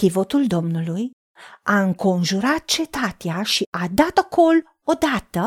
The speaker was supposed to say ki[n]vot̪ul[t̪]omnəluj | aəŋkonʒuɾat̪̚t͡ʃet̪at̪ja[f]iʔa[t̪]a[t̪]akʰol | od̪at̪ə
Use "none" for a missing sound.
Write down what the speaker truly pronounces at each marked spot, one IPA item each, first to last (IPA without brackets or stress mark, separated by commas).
none, d̪, ʃ, d̪, t̪